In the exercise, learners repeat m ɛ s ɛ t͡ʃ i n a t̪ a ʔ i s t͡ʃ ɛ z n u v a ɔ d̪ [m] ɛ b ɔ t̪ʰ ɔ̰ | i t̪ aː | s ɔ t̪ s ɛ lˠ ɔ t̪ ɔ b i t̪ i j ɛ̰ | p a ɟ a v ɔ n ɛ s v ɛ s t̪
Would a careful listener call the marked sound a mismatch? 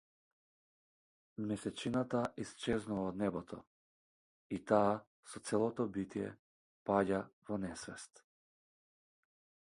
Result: yes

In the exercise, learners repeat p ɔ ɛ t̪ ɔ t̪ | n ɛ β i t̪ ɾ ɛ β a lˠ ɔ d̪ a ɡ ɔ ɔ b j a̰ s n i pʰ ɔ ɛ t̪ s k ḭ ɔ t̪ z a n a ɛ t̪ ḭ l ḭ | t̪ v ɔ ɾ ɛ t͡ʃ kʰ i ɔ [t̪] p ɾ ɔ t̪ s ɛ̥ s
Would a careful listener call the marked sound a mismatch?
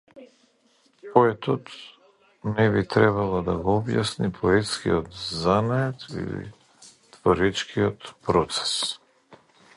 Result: no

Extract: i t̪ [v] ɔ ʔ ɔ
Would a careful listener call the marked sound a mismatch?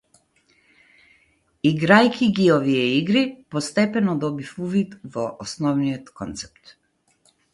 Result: no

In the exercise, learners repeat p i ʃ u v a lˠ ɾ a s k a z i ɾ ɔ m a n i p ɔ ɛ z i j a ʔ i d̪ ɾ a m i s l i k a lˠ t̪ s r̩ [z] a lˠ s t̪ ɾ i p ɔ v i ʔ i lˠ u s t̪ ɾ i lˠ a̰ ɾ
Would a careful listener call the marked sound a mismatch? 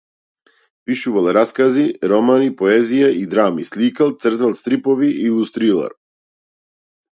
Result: no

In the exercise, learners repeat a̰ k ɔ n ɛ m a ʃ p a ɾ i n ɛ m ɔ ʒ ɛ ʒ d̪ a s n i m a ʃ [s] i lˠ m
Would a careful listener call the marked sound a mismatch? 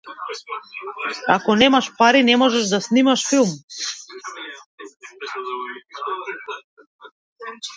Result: yes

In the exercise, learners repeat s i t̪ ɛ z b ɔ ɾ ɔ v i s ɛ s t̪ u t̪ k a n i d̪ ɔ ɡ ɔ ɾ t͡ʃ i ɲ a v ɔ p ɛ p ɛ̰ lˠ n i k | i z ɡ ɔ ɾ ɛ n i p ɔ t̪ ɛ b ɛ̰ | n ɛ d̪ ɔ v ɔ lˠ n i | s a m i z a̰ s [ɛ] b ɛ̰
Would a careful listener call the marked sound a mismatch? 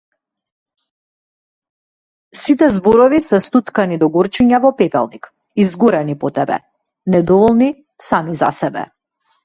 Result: no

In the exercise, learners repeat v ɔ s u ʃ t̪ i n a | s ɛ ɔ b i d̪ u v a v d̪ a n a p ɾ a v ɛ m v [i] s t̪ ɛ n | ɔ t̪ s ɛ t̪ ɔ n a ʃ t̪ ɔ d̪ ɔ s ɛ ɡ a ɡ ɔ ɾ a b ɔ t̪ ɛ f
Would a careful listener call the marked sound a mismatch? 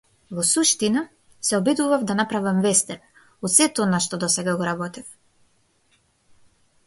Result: yes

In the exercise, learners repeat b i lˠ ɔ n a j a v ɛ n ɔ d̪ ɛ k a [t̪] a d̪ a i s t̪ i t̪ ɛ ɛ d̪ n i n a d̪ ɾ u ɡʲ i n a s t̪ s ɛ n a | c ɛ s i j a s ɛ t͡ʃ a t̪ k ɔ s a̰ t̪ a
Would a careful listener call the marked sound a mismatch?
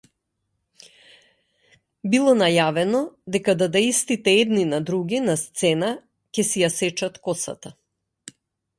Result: yes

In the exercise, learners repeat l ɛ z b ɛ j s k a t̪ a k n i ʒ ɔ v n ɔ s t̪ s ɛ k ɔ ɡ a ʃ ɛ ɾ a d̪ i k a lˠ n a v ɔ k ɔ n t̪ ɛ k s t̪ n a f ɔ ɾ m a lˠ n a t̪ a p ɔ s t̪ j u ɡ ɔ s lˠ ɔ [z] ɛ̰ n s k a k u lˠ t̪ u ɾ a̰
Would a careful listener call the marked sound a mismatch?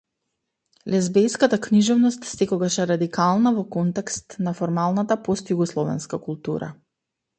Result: yes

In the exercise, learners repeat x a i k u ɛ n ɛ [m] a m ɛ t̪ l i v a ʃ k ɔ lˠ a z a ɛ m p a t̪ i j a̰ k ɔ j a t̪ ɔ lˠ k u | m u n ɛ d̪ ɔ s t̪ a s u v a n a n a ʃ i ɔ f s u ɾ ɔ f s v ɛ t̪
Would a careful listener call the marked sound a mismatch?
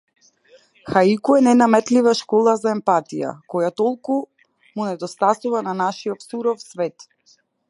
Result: yes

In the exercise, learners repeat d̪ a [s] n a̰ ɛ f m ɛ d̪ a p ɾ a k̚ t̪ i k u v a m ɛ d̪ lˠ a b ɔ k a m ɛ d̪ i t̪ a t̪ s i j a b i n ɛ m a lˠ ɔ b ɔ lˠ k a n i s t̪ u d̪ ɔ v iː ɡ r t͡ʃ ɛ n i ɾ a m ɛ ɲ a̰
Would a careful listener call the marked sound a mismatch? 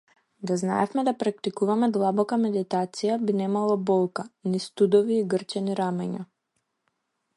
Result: yes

